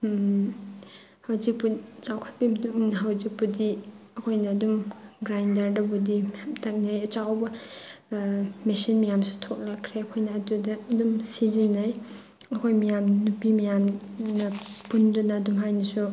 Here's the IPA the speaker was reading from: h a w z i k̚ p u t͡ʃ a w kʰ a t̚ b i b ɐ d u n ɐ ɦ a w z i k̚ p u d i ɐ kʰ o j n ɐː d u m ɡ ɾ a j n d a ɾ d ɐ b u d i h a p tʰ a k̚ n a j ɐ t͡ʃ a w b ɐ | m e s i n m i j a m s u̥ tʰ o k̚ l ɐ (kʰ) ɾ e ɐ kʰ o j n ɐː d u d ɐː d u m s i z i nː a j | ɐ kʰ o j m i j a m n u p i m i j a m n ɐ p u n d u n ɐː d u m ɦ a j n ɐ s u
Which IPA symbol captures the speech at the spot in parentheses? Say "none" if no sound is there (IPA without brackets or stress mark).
kʰ